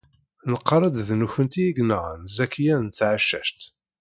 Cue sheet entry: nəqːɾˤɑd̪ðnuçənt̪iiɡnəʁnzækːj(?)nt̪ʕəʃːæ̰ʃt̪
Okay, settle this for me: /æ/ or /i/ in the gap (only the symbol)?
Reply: æ